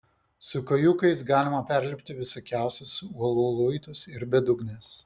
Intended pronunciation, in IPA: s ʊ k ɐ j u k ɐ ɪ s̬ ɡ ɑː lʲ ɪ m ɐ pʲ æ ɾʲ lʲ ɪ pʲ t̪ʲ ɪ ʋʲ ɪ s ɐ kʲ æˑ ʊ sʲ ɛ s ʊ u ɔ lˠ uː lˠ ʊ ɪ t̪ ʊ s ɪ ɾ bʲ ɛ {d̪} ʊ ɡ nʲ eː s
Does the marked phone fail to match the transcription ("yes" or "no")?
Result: no